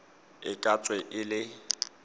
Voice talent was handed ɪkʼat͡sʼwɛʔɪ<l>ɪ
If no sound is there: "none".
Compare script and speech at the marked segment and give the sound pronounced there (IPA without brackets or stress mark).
l